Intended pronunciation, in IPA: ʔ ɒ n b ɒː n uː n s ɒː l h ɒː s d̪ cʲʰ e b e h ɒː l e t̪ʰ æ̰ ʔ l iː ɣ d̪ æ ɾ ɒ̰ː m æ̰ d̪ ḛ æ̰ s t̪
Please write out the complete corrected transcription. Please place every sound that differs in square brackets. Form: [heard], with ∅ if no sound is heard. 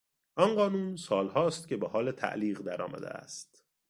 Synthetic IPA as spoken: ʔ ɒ n [ɢ] ɒː n uː n s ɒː l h ɒː s [t̪] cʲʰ e b e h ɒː l e t̪ʰ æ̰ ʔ l iː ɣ d̪ æ ɾ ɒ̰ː m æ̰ d̪ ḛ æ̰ s t̪